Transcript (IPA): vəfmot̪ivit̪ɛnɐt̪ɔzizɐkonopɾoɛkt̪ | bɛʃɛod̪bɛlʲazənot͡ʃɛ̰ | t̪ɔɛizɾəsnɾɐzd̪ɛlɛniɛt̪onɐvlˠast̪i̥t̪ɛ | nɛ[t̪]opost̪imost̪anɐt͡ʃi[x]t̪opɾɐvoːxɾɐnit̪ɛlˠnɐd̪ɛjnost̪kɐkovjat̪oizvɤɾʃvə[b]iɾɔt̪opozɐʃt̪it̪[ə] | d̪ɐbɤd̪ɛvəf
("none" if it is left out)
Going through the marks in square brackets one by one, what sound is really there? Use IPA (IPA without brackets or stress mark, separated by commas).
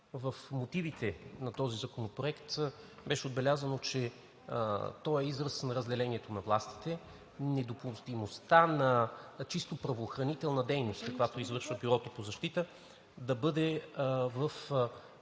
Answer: d̪, s, b, ə